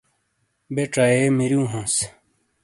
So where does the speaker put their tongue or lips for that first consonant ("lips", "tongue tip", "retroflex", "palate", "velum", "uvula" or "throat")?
lips